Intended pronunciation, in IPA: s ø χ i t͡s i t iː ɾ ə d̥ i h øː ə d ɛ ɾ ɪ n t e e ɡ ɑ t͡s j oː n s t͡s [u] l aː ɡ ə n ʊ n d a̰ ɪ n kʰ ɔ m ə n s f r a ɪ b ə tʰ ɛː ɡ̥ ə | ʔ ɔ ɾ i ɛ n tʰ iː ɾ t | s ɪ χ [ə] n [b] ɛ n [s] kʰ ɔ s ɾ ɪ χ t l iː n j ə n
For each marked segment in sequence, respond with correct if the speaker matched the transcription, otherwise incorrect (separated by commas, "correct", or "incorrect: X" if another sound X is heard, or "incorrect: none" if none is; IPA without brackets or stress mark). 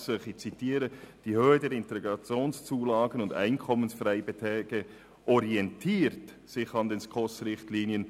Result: incorrect: uː, incorrect: ɑ, incorrect: d, correct